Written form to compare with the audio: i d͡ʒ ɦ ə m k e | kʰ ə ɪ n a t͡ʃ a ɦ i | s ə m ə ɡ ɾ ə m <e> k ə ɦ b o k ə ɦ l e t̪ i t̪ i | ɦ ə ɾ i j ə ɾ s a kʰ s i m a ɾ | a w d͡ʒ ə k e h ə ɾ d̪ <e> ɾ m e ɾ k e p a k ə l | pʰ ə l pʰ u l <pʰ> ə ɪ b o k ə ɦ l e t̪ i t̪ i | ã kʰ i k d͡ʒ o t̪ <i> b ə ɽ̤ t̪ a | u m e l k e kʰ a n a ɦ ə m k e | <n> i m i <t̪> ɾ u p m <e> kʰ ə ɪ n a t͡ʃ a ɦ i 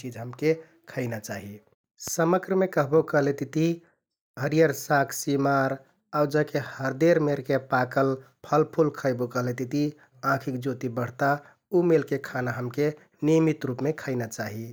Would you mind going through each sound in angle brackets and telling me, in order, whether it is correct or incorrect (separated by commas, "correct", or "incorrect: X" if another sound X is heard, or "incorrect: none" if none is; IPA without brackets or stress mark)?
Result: correct, correct, incorrect: kʰ, correct, correct, correct, correct